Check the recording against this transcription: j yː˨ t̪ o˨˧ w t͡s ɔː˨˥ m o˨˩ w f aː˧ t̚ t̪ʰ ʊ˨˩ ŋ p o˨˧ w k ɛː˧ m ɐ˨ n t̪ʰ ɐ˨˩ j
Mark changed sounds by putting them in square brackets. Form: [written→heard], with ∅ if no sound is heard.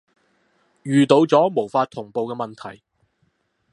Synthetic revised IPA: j yː˨ t̪ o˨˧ w t͡s ɔː˨˥ m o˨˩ w f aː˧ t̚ t̪ʰ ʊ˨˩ ŋ p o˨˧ w k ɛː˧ m ɐ˨ n t̪ʰ ɐ˨˩ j